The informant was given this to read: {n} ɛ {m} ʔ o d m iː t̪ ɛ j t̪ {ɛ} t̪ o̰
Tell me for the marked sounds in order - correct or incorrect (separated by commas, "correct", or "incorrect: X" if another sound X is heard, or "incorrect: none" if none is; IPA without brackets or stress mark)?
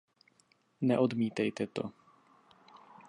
correct, incorrect: none, correct